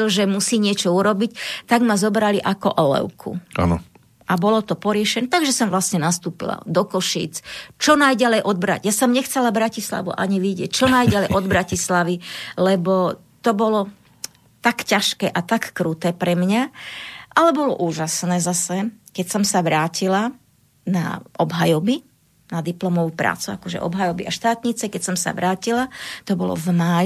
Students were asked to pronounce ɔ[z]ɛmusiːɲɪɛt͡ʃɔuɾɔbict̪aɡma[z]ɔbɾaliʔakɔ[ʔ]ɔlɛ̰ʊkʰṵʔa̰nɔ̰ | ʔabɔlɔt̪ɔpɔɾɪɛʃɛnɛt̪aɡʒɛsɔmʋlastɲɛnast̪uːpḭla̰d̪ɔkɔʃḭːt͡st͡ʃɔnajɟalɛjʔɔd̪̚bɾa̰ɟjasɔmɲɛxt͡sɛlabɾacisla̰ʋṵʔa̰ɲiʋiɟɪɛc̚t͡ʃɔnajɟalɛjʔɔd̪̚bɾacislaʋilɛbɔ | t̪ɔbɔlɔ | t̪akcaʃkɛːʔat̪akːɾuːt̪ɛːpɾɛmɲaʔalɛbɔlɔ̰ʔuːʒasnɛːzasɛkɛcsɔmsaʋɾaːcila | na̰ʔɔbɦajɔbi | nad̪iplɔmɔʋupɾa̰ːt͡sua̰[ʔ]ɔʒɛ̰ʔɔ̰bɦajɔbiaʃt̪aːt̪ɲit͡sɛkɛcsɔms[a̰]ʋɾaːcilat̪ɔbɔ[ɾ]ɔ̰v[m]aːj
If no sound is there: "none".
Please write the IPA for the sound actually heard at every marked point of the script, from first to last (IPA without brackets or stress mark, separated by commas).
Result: ʒ, z, ʔ, k, a̰, l, m